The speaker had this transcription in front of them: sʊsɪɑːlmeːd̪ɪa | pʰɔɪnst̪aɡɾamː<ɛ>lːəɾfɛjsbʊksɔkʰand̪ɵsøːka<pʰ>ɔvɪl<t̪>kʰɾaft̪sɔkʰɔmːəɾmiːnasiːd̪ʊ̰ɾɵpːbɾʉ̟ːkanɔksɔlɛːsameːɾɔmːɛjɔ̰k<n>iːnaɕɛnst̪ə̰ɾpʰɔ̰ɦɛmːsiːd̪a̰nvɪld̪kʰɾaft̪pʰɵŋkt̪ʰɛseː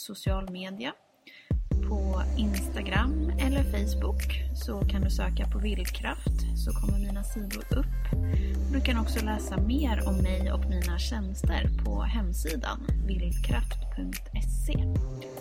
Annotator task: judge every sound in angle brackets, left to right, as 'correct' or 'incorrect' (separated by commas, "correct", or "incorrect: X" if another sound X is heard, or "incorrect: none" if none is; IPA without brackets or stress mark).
correct, correct, incorrect: d̪, incorrect: m